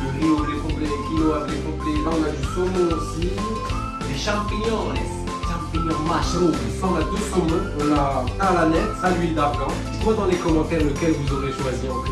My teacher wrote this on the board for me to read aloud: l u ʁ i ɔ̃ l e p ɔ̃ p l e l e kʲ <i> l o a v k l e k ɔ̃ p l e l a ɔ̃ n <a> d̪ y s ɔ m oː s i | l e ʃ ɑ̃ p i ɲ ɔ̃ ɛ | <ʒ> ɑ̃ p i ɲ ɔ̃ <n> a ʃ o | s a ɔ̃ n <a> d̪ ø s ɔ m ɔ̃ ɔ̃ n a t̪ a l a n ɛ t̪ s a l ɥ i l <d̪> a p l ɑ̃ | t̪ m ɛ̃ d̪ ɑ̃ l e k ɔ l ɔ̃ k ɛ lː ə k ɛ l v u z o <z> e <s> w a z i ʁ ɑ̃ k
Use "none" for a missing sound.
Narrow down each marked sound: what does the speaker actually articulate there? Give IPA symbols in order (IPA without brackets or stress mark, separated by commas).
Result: i, a, ʃ, m, a, d̪, ʁ, ʃ